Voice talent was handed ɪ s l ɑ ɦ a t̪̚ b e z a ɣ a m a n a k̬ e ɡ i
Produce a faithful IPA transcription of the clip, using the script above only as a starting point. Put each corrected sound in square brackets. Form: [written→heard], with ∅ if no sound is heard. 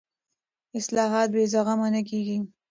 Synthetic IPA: ɪ s l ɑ ɦ [a→ɑ] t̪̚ b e z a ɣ a m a n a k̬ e ɡ i